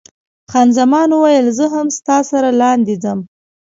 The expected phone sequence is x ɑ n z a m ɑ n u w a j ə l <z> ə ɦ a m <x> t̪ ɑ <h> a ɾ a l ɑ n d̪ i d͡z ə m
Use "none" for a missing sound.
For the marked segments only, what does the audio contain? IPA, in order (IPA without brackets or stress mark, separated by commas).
z, s, s